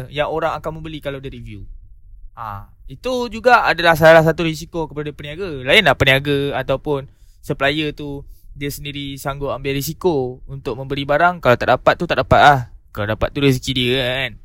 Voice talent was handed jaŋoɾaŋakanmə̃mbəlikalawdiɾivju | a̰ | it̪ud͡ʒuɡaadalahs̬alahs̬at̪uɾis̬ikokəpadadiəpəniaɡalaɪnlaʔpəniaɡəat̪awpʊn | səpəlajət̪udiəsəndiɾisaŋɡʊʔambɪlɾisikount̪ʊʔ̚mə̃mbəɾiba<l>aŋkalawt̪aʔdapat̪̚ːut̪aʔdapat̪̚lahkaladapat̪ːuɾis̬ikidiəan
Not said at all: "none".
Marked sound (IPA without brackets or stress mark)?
ɾ